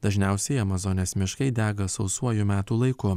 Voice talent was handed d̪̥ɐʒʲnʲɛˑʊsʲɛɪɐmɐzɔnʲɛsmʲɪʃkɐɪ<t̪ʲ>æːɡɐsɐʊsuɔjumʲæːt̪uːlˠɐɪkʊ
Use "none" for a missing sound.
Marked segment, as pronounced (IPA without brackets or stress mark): d̪ʲ